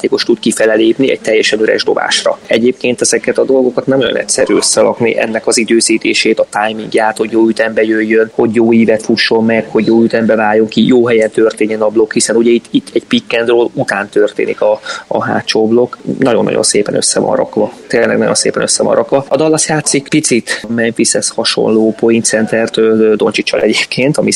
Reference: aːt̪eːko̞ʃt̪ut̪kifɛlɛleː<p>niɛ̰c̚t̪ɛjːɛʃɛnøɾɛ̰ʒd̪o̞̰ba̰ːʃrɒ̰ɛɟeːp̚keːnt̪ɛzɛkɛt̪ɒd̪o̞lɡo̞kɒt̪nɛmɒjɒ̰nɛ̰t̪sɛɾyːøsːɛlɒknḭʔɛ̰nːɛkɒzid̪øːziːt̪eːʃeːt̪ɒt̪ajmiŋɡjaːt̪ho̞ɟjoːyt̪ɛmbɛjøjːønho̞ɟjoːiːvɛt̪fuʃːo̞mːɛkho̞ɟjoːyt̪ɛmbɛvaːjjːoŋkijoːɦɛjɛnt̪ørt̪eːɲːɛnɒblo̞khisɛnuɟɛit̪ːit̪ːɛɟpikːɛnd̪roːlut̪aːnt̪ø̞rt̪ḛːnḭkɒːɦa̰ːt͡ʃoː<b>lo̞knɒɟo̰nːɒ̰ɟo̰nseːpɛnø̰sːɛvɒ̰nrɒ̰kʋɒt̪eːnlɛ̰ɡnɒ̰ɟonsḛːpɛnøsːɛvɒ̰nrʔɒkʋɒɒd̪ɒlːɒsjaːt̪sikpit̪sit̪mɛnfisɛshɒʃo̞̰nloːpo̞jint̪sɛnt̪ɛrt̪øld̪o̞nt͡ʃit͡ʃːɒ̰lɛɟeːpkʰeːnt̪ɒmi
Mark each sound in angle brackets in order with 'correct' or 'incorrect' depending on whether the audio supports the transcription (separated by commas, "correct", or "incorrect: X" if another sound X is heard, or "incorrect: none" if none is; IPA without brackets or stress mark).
correct, correct